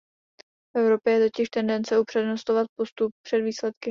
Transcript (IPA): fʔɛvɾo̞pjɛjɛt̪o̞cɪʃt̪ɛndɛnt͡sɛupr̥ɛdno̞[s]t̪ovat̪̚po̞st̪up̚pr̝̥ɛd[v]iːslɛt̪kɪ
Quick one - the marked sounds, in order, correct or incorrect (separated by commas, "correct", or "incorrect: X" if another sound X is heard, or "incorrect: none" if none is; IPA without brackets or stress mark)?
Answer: correct, correct